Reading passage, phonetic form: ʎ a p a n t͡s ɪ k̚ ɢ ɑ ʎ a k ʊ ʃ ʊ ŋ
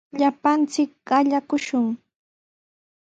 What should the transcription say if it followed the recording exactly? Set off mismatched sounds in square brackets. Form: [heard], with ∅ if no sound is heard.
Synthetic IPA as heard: ʎ a p a n t͡s ɪ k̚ ɢ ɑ ʎ a k ʊ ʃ ʊ ŋ